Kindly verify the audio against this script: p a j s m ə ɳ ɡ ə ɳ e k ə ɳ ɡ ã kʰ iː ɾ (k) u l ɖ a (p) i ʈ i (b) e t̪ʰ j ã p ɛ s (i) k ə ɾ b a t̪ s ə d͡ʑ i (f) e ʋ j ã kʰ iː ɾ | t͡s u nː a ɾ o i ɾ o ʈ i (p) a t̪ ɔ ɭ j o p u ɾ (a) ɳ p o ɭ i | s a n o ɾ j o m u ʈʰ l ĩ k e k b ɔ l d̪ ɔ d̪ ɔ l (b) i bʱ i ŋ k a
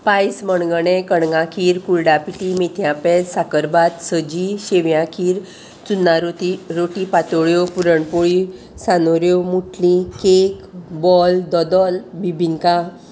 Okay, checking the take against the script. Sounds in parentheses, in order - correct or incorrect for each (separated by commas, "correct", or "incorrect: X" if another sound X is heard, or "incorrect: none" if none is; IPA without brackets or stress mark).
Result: correct, correct, incorrect: m, incorrect: a, incorrect: ɕ, correct, incorrect: ə, correct